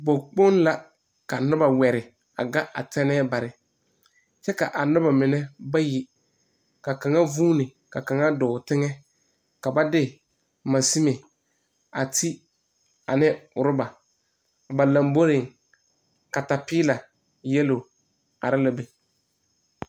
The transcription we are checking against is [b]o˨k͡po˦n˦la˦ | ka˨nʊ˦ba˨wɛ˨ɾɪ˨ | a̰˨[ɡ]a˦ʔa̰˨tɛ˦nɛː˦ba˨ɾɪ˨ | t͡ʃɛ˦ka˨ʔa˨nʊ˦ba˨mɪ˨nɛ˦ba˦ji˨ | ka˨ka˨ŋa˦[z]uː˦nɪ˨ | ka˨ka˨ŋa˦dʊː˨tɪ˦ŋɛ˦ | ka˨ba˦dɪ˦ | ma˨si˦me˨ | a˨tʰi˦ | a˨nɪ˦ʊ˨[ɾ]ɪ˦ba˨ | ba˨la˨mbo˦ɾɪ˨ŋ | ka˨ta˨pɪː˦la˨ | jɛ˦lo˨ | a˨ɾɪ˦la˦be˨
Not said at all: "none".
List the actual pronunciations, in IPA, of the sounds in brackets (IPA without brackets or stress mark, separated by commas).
b, ɡ, v, ɾ